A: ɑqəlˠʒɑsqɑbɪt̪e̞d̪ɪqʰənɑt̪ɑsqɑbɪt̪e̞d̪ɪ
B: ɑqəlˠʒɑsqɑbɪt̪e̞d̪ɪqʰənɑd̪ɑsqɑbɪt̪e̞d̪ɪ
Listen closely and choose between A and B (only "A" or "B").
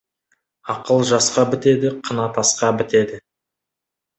A